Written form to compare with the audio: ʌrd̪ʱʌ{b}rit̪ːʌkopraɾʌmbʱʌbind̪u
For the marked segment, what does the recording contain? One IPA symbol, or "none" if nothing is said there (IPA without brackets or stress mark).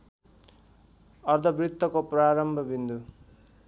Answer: b